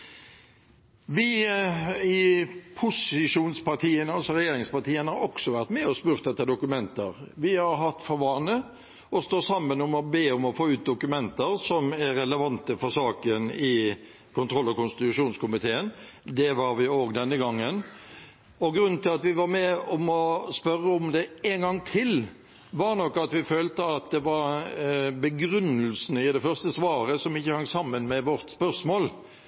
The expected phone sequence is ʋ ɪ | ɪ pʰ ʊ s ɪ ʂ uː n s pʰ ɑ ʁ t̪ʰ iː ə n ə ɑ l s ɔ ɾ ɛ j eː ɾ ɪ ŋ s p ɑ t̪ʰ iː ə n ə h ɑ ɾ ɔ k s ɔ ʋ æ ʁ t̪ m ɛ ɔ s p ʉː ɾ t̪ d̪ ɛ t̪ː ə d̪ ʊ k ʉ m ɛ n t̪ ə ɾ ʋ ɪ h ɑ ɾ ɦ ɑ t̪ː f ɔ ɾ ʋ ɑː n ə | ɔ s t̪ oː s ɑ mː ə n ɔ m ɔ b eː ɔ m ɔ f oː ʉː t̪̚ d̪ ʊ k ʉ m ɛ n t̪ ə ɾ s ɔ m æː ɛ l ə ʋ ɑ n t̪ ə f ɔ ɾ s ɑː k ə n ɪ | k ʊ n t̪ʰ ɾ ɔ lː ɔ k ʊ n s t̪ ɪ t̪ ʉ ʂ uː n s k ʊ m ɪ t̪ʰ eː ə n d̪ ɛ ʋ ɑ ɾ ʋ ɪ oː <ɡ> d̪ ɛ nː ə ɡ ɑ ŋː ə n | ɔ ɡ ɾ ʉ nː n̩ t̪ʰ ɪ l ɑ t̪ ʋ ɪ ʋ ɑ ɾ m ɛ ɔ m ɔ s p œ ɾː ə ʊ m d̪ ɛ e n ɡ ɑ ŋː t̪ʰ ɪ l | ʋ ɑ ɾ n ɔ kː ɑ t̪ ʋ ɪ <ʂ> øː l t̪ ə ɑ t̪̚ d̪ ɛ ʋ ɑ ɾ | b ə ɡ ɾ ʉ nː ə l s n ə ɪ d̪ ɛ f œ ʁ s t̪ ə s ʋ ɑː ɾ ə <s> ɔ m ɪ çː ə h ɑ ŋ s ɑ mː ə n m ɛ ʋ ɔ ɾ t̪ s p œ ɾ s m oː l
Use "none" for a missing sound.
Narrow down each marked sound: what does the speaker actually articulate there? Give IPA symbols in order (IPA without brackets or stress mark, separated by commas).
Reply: ɡ, f, s